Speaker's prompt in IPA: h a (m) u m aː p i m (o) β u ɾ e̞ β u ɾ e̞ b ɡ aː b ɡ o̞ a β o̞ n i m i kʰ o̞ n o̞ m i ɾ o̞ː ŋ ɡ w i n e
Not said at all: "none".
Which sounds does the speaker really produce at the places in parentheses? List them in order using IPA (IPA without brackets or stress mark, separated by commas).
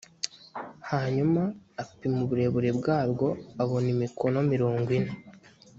ɲ, u